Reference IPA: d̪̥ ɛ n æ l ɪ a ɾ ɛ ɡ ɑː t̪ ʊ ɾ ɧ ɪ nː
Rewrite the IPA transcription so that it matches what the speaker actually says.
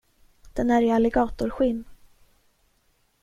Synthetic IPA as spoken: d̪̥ ɛ n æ ɾ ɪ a l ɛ ɡ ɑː t̪ ʊ ɾ ɧ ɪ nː